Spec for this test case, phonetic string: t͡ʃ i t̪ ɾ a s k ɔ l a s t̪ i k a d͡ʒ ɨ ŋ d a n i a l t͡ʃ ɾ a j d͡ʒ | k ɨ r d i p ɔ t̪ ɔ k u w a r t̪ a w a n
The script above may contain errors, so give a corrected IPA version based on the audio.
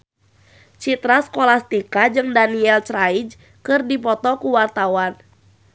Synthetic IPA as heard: t͡ʃ i t̪ ɾ a s k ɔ l a s t̪ i k a d͡ʒ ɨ ŋ d a n i ɛ l t͡ʃ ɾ a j d͡ʒ | k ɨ r d i p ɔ t̪ ɔ k u w a r t̪ a w a n